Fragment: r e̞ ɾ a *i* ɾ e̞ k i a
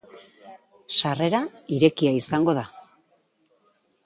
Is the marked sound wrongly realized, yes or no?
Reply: no